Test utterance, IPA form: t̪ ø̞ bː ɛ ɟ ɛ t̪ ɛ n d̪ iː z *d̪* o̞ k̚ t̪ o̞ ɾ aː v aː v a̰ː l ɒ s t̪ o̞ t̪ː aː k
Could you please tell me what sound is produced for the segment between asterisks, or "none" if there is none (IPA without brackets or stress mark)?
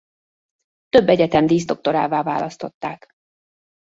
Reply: d̪